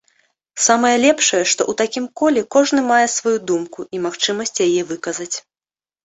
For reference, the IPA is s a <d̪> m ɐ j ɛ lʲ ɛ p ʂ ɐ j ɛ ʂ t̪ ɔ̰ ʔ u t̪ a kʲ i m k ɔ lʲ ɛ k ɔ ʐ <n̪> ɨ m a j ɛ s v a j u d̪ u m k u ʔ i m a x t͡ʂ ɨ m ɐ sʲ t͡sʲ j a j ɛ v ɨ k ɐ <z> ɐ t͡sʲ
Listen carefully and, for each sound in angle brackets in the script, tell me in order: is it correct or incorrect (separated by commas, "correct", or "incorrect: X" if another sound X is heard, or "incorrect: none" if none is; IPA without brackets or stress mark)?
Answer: incorrect: none, correct, correct